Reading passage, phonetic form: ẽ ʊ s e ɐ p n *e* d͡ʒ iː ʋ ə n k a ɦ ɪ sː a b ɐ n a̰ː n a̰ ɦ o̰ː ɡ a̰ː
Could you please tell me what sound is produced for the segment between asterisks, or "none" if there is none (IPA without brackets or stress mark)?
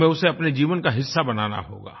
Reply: e